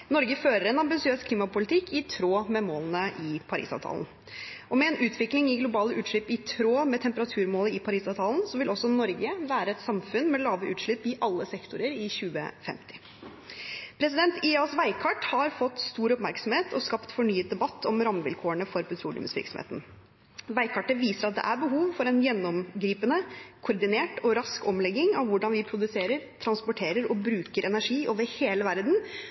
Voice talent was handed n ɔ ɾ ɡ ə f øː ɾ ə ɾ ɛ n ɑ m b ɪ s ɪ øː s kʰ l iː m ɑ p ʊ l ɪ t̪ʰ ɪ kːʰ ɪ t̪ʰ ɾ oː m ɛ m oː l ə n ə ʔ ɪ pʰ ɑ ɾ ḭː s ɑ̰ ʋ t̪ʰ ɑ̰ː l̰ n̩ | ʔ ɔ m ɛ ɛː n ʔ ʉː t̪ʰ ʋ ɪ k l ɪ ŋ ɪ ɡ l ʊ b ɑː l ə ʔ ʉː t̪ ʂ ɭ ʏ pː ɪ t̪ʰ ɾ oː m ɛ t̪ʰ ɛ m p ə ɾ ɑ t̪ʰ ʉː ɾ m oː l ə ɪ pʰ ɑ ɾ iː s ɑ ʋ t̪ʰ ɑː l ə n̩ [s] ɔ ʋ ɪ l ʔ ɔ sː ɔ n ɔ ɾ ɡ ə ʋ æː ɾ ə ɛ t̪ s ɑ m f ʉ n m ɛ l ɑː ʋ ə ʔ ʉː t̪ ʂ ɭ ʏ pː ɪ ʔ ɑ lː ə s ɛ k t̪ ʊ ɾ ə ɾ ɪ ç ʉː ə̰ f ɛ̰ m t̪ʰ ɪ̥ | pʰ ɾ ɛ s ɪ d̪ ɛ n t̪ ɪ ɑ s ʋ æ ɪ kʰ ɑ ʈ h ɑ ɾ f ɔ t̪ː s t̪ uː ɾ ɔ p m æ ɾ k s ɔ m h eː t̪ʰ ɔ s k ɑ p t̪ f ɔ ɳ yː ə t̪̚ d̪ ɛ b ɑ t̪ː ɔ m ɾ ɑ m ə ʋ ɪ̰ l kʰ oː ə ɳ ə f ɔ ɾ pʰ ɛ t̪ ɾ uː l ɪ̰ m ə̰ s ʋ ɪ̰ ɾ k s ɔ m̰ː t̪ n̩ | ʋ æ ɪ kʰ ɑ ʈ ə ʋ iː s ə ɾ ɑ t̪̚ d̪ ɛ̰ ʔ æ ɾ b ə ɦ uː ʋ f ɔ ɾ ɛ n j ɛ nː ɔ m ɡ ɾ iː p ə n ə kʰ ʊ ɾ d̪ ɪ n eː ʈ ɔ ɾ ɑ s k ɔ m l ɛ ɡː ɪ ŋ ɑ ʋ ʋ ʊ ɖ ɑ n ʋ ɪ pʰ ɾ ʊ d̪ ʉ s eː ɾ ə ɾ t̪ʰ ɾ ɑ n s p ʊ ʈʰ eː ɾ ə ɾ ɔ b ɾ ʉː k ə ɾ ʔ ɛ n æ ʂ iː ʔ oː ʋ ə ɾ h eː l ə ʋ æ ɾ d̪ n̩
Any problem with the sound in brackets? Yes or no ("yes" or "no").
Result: no